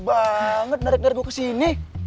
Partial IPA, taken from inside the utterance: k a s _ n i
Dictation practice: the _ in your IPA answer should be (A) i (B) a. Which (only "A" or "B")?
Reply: A